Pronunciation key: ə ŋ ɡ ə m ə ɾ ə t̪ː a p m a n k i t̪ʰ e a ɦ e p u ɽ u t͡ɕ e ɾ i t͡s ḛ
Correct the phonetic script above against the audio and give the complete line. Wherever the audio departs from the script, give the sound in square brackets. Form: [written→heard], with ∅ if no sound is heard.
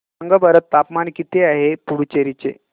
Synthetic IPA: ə ŋ ɡ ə [m→b] ə ɾ ə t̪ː a p m a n k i [t̪ʰ→t̪] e a ɦ e p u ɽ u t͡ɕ e ɾ i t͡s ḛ